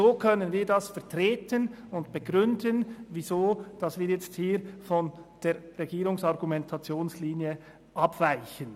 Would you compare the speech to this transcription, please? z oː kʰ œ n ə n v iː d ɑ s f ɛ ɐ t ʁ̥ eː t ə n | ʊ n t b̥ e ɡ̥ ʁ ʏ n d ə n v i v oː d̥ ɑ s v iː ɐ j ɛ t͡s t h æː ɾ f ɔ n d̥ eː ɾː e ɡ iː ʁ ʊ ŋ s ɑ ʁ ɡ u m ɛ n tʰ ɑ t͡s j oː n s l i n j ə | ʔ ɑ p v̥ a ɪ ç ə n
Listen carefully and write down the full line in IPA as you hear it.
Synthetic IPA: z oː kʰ œ n ə n v iː d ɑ s f ɛ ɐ t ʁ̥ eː t ə n | ʊ n t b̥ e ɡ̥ ʁ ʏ n d ə n v i z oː d̥ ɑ s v iː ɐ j ɛ t͡s t h iː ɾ f ɔ n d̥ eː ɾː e ɡ iː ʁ ʊ ŋ s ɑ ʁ ɡ u m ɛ n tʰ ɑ t͡s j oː n s l iː n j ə | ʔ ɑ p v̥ a ɪ ç ə n